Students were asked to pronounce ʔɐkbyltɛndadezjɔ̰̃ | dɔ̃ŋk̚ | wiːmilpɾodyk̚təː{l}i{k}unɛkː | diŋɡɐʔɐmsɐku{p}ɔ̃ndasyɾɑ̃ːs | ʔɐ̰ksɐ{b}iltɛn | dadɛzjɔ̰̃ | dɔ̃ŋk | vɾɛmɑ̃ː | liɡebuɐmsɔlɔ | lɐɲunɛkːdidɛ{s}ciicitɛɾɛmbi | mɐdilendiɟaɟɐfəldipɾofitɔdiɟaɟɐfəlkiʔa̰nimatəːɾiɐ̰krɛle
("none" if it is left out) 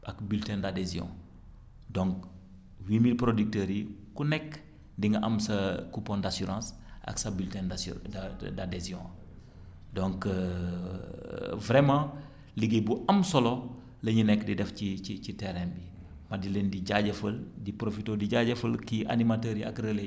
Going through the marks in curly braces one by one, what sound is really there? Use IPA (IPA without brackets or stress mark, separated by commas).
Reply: ɾ, k, p, b, f